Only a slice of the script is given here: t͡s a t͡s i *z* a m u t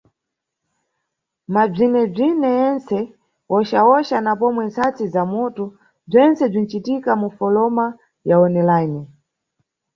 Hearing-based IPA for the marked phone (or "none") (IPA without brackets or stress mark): z